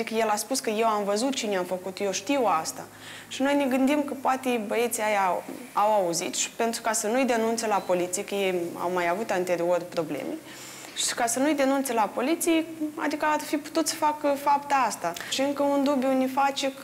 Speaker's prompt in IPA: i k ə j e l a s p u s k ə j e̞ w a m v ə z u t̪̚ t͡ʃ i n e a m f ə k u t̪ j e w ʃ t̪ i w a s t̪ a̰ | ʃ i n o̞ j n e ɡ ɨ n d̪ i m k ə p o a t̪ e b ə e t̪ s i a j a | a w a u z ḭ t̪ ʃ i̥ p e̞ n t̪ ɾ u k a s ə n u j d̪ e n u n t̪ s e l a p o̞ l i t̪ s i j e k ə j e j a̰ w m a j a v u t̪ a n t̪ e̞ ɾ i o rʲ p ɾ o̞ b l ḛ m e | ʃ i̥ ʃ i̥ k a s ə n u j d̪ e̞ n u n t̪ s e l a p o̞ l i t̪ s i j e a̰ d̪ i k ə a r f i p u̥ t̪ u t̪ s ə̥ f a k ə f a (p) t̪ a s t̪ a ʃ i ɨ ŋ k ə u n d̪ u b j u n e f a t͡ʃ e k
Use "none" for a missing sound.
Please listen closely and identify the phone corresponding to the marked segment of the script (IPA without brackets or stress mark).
p